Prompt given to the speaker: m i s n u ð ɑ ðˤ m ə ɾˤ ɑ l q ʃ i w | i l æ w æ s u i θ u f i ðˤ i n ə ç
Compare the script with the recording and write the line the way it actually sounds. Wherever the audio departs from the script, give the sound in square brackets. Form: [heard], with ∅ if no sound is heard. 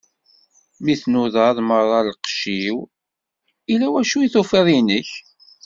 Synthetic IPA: m i [θ] n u ð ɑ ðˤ m ə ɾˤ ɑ l q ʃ i w | i l æ w æ [ʃ] u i θ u f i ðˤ i n ə ç